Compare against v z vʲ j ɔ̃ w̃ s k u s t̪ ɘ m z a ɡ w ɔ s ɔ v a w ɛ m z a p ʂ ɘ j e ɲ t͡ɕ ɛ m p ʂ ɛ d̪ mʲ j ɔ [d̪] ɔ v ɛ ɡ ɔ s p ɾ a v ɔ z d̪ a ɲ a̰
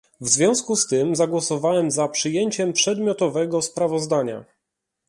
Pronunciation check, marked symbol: incorrect: t̪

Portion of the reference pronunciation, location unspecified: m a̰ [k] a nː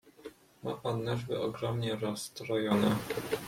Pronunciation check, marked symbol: incorrect: p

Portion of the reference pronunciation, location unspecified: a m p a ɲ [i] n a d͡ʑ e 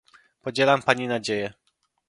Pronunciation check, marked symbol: correct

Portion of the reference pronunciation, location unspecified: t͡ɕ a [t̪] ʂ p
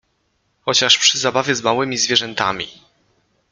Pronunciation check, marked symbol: incorrect: none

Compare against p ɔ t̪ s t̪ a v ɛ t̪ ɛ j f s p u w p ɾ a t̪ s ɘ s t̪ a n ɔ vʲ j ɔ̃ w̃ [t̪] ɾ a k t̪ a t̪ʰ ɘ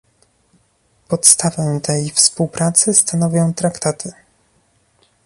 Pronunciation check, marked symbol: correct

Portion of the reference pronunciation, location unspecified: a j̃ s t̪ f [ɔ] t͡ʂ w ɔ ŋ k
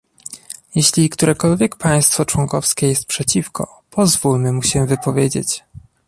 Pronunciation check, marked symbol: correct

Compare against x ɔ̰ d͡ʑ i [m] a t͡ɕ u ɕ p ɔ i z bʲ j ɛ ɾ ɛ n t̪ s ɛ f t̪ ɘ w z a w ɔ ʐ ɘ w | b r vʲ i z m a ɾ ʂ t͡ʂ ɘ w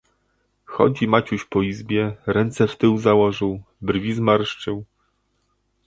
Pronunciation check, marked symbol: correct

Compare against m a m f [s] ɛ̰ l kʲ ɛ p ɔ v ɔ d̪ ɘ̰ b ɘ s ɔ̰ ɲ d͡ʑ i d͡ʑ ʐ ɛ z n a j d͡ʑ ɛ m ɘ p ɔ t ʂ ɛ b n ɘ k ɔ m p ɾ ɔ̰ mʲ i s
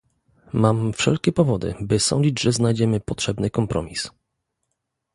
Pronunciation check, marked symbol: incorrect: ʂ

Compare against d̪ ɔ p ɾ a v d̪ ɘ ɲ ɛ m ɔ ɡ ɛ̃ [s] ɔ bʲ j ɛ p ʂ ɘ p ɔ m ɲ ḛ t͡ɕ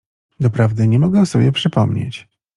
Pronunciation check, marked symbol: correct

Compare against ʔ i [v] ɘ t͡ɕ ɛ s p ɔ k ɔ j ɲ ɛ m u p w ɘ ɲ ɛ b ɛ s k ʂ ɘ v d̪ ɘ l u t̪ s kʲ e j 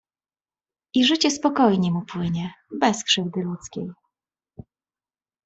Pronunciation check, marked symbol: incorrect: ʐ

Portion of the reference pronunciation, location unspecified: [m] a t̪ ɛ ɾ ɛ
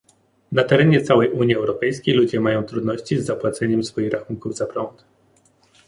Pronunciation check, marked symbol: incorrect: n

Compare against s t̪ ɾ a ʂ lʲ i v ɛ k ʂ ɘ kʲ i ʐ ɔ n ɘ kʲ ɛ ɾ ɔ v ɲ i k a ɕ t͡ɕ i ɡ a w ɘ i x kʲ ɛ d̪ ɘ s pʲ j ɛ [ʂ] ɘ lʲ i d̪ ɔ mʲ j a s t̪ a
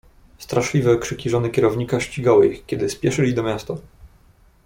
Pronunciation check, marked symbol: correct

